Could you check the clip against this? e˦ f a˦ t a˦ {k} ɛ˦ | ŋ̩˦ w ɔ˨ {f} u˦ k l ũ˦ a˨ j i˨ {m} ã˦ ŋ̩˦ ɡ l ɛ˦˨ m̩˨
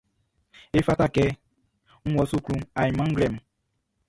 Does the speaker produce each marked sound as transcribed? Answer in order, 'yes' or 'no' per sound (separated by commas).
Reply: yes, no, yes